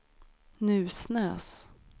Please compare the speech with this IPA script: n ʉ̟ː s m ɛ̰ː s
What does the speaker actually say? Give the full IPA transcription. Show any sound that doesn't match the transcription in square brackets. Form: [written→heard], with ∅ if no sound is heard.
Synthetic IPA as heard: n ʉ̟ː s [m→n] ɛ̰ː s